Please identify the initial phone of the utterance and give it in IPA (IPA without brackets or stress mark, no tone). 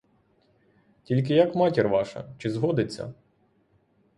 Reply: tʲ